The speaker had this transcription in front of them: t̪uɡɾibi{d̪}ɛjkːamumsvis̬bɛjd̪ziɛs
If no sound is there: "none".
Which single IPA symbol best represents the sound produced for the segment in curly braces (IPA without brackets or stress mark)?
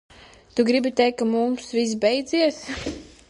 t̪